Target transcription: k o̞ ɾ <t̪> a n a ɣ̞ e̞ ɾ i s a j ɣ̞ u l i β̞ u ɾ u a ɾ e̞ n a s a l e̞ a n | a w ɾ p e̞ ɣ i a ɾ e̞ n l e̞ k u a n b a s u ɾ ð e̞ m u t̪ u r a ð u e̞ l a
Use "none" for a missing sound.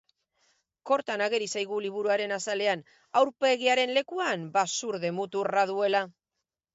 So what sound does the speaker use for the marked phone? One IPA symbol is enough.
t̪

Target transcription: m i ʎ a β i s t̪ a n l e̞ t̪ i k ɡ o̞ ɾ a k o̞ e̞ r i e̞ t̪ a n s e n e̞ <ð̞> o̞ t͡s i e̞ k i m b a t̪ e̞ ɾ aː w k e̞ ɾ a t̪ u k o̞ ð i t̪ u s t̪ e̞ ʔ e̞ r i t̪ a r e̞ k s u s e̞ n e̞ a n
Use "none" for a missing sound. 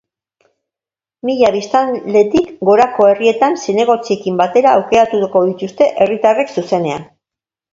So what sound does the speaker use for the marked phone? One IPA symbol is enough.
ɣ̞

